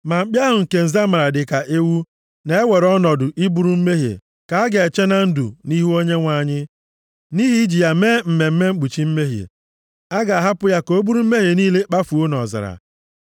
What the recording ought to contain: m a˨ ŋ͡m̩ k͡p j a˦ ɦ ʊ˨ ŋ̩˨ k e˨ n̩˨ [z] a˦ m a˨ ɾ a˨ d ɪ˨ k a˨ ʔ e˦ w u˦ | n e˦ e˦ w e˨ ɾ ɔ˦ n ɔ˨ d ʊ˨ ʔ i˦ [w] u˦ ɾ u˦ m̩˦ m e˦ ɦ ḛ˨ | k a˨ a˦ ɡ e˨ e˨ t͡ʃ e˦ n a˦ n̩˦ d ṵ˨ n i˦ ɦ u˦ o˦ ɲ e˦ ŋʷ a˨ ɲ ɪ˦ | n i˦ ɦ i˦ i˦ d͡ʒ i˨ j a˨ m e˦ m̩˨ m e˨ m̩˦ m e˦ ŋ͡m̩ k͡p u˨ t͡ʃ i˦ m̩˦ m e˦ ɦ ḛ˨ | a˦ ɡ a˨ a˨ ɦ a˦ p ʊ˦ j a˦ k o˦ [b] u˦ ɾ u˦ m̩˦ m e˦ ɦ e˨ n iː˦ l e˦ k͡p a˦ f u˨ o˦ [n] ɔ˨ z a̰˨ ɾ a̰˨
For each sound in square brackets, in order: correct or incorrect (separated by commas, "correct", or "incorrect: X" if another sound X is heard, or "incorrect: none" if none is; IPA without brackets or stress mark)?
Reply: correct, incorrect: b, correct, correct